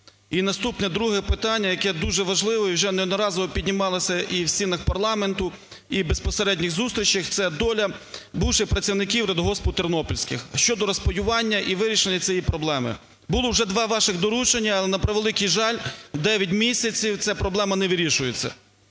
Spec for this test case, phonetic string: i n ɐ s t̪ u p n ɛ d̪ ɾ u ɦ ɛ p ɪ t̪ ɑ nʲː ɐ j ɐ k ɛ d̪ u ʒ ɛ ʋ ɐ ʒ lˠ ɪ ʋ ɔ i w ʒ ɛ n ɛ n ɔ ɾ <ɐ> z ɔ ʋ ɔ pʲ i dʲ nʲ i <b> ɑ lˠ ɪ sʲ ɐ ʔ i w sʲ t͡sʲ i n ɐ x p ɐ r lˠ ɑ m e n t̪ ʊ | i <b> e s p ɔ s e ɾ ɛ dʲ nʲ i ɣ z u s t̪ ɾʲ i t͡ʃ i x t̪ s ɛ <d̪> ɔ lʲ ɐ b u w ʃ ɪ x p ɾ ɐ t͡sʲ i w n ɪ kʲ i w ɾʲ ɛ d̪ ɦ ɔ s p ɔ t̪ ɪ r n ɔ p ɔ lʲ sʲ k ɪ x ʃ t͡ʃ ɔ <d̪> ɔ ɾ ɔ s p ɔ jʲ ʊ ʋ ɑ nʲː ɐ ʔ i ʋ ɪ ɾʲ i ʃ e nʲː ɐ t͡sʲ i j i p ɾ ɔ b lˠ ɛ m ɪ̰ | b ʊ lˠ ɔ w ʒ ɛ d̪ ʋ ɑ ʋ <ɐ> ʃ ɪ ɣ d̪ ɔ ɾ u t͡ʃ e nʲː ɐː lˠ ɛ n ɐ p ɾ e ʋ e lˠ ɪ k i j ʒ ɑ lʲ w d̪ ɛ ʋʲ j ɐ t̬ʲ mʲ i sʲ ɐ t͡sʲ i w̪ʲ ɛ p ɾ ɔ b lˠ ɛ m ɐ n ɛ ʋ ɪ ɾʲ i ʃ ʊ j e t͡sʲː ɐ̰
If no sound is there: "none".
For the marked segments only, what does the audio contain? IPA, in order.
ɑ, m, b, d̪, d̪, ɑ

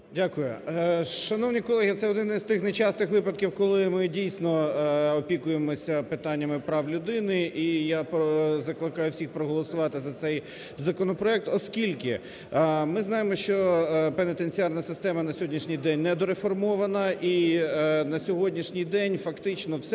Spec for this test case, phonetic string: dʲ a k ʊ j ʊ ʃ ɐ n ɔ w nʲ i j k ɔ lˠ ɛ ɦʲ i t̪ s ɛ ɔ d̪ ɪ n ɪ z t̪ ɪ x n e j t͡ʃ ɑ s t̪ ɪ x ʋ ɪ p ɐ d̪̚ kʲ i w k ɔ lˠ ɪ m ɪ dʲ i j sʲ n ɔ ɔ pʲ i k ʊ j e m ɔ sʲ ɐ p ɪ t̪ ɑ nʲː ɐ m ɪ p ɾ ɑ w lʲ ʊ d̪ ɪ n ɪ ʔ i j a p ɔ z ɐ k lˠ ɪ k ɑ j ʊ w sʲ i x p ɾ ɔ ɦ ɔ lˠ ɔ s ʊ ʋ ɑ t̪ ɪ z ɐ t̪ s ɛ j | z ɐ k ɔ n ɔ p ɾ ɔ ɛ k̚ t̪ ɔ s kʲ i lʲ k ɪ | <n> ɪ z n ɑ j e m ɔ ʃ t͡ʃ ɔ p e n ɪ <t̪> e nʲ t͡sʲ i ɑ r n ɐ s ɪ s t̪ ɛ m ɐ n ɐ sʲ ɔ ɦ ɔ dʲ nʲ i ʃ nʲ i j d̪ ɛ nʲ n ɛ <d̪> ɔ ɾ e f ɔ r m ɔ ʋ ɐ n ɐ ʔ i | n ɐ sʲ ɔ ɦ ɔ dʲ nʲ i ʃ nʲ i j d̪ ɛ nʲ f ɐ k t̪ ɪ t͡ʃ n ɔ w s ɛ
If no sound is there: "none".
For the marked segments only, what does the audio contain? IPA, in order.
m, t̪, d̪

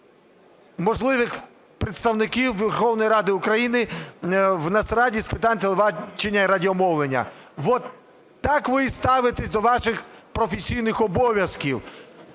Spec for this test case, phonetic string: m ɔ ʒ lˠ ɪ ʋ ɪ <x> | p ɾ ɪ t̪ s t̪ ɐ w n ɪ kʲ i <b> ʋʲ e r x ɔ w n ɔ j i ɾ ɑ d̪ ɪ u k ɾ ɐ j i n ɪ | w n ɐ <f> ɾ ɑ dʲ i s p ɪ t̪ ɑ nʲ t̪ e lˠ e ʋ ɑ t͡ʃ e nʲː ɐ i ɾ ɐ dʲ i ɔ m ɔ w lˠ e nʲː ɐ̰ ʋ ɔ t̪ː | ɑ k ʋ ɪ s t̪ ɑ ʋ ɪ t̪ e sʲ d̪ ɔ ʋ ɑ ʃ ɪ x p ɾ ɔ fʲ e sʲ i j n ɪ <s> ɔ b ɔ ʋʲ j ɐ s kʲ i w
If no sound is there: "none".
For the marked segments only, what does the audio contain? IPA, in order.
x, w, s, x

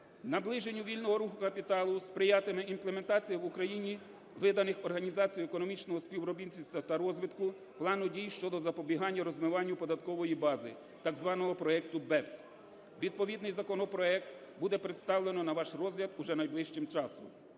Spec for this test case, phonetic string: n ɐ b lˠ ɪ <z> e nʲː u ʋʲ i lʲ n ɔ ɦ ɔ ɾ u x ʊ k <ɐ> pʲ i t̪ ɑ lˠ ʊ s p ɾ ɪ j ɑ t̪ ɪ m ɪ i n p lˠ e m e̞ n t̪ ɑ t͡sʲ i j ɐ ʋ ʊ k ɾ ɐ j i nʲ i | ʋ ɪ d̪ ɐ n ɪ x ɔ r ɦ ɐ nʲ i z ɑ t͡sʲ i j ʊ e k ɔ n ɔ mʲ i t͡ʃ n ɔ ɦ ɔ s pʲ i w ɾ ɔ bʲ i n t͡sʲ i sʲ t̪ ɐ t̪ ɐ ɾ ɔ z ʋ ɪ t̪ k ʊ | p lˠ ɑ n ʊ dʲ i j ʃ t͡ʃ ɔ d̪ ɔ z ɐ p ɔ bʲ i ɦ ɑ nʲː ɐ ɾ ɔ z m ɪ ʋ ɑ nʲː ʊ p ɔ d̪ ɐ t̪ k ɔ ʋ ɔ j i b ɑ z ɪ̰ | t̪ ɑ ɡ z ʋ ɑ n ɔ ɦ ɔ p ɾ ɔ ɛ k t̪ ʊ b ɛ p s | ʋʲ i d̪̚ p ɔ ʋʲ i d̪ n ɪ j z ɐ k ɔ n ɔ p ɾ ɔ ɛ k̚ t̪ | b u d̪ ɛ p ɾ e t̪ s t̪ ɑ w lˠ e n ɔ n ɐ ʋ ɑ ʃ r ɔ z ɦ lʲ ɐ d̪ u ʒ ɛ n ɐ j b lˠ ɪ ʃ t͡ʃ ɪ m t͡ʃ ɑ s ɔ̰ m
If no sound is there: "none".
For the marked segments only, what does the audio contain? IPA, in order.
ʒ, ɐ

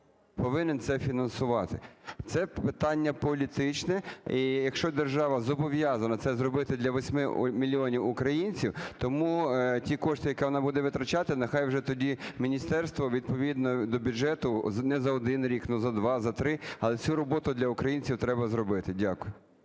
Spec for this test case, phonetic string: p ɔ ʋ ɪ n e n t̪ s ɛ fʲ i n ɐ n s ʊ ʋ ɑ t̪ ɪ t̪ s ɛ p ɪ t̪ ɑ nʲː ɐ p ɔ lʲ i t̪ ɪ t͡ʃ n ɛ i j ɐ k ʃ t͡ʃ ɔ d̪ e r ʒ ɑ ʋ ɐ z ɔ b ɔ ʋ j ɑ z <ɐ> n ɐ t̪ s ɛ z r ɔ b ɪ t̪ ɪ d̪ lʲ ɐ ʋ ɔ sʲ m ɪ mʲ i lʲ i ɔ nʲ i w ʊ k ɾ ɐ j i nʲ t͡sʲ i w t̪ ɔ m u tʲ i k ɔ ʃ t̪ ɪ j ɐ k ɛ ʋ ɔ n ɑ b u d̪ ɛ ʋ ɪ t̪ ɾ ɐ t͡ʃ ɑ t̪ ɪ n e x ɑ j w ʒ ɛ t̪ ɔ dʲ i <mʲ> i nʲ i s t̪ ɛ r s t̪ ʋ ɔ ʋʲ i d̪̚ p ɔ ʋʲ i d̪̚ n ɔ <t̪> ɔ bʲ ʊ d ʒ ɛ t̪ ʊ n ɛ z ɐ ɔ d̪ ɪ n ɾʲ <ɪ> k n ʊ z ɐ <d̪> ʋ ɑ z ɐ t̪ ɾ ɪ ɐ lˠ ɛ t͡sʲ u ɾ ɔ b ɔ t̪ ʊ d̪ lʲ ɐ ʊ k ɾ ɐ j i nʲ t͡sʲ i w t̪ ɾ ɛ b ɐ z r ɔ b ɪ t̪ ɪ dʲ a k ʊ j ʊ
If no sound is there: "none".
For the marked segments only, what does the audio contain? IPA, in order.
ɐ, mʲ, d̪, i, d̪

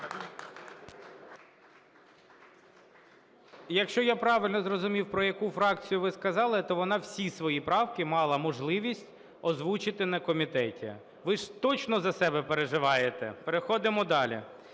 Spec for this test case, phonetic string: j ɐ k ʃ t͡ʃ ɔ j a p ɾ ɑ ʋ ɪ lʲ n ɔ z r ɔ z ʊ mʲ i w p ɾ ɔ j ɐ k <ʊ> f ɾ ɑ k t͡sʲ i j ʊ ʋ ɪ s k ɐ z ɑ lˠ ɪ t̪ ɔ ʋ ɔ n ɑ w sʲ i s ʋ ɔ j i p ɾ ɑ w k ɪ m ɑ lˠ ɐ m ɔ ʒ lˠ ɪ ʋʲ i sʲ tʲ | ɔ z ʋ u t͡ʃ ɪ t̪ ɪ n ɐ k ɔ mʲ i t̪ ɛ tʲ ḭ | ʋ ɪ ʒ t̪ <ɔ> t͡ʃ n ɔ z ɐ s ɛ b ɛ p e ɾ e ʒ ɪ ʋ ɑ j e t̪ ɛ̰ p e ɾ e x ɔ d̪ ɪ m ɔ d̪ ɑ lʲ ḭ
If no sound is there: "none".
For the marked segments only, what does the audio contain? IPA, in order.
u, ɔ

